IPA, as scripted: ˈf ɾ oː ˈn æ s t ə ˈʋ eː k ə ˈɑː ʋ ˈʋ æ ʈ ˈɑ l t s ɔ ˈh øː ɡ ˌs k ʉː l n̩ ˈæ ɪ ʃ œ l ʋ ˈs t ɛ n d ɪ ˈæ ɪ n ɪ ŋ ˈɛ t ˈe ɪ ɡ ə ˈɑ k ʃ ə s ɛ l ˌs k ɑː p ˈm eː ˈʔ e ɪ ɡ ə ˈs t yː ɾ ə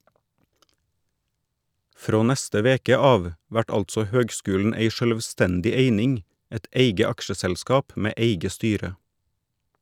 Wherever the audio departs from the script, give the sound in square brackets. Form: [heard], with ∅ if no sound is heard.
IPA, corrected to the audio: ˈf ɾ oː ˈn æ s t ə ˈʋ eː k ə ˈɑː ʋ ˈʋ æ ʈ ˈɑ l t s ɔ ˈh øː ɡ ˌs k ʉː l n̩ [ˈe] ɪ ʃ œ l ʋ ˈs t ɛ n d ɪ [ˈe] ɪ n ɪ ŋ ˈɛ t ˈe ɪ ɡ ə ˈɑ k ʃ ə s ɛ l ˌs k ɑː p ˈm eː ˈʔ e ɪ ɡ ə ˈs t yː ɾ ə

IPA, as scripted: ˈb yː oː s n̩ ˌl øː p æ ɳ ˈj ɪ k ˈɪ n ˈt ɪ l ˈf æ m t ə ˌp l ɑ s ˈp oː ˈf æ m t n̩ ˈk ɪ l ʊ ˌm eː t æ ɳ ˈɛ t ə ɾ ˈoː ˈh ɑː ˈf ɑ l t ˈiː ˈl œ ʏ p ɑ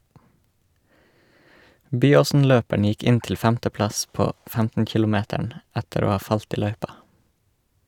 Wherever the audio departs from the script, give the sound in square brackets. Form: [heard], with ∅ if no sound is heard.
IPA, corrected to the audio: ˈb yː oː s n̩ ˌl øː p æ ɳ ˈj ɪ k ˈɪ n ˈt ɪ l ˈf æ m t ə ˌp l ɑ s ˈp oː ˈf æ m t n̩ ˈk ɪ l ʊ ˌm eː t æ ɳ [ˈæ] t ə ɾ ˈoː ˈh ɑː ˈf ɑ l t ˈiː ˈl œ ʏ p ɑ

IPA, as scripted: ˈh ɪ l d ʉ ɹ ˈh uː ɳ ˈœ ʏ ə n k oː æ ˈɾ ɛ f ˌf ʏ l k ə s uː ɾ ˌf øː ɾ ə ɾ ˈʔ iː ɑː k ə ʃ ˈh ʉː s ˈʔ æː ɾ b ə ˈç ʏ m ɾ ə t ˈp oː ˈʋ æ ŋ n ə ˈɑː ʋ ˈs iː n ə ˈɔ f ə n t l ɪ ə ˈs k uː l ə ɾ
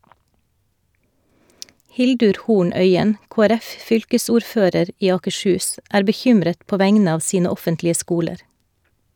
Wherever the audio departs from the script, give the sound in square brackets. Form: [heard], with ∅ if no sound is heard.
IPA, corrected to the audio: ˈh ɪ l d ʉ [ɾ] ˈh uː ɳ ˈœ ʏ ə n k oː æ ˈɾ ɛ f ˌf ʏ l k ə s uː ɾ ˌf øː ɾ ə ɾ ˈʔ iː ɑː k ə ʃ ˈh ʉː s ˈʔ æː ɾ b ə ˈç ʏ m ɾ ə t ˈp oː ˈʋ æ ŋ n ə ˈɑː ʋ ˈs iː n ə ˈɔ f ə n t l ɪ ə ˈs k uː l ə ɾ

